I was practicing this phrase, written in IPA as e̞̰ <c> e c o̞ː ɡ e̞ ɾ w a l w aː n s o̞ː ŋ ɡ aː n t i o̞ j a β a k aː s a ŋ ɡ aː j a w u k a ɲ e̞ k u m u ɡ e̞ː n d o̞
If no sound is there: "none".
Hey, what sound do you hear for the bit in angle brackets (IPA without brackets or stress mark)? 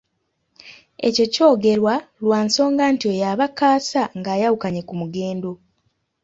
c